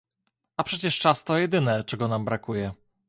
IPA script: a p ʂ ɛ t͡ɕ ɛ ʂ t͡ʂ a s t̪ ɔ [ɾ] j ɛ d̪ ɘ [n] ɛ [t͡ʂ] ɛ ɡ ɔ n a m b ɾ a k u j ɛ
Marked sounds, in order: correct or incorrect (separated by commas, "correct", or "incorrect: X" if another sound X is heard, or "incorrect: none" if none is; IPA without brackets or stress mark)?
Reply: incorrect: none, correct, correct